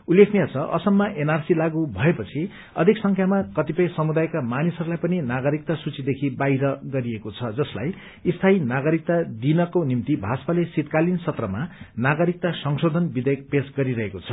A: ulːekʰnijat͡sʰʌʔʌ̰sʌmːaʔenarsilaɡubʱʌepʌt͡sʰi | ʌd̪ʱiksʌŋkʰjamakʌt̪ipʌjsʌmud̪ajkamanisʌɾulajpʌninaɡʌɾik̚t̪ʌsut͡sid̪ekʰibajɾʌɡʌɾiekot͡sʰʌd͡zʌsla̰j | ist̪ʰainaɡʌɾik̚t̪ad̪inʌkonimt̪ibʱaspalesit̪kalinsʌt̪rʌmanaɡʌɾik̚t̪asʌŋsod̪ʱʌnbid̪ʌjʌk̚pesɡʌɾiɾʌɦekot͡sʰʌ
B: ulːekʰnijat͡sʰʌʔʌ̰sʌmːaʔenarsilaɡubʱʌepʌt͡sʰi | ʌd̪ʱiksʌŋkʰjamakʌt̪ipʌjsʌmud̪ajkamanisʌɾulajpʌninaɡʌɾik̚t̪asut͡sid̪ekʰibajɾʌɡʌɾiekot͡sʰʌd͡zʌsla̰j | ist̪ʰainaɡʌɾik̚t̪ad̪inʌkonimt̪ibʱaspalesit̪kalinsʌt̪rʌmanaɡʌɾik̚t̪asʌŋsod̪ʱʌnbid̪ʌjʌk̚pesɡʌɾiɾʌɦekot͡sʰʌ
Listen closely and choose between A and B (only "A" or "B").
B